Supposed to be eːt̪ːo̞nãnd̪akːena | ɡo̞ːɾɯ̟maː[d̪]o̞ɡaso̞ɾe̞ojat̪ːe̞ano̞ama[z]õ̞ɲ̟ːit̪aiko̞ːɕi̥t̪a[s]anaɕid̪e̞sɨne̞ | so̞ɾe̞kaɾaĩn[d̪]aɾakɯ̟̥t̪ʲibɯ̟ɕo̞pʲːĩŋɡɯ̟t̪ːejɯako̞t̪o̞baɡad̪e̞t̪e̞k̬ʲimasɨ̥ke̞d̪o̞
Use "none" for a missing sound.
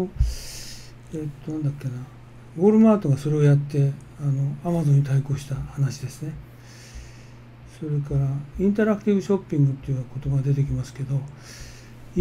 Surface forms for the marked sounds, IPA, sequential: t̪, z, h, t̪

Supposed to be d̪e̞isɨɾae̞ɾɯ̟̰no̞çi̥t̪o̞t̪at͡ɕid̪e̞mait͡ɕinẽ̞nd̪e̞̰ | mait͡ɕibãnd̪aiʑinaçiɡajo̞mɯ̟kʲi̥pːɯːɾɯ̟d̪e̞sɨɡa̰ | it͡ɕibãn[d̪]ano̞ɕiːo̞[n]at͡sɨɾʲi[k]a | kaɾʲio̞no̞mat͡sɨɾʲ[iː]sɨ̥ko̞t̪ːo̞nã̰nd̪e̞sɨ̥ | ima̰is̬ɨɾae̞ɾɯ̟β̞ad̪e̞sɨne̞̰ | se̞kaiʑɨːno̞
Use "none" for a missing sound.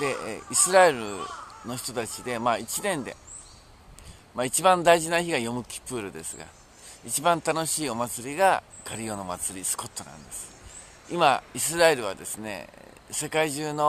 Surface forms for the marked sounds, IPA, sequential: t̪, m, ɡ, i

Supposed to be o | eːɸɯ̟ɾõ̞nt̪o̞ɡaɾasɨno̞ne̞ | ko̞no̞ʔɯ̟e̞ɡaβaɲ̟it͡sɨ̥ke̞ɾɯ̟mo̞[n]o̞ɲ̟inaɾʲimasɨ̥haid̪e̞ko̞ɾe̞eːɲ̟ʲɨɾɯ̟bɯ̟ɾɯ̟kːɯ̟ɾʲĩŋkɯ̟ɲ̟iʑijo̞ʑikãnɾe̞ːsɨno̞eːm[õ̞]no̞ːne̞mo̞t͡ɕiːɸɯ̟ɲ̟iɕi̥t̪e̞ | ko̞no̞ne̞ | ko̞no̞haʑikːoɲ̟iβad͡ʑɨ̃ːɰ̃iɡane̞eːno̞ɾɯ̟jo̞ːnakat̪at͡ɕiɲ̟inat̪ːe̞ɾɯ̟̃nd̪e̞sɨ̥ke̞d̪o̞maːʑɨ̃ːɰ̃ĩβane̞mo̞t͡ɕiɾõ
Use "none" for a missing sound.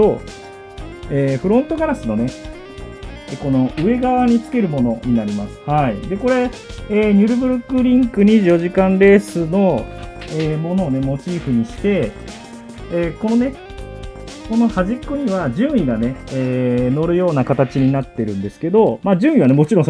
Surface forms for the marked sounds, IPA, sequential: n, o̞

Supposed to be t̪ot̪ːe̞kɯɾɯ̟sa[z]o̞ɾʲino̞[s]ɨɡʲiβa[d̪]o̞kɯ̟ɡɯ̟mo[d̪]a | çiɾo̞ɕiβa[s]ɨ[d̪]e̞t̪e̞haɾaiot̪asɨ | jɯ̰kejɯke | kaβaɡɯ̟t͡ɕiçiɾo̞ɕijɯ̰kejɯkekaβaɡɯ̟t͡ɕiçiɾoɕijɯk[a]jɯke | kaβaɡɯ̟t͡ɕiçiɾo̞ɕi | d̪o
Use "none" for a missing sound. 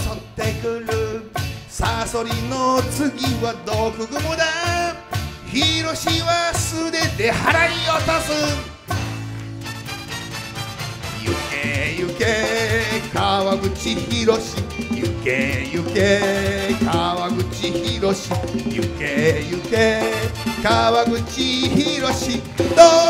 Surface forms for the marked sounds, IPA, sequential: s, t͡s, d̪, d̪, s, d̪, e

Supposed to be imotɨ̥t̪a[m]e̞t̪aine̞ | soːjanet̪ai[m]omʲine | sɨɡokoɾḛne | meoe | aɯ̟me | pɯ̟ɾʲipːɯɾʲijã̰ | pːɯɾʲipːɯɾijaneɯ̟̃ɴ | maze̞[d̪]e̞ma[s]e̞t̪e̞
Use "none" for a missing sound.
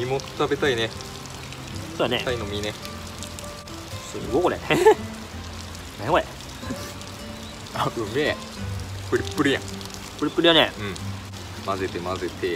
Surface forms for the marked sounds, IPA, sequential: b, n, t̪, z

